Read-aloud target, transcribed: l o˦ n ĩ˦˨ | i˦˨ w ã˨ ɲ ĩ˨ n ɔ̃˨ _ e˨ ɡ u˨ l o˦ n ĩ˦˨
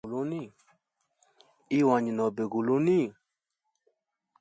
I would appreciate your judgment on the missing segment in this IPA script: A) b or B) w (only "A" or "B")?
A